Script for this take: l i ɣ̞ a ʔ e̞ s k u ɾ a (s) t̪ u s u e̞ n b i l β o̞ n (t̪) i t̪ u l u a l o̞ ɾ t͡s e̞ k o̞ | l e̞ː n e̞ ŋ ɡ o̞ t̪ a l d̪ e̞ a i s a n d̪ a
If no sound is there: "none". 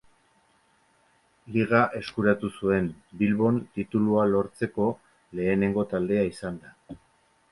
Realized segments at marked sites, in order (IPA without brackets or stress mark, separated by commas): none, t̪